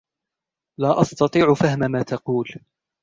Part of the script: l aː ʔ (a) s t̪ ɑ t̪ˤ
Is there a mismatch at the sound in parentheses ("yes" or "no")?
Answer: yes